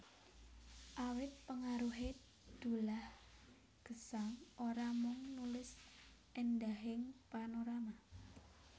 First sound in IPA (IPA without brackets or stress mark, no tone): ʔ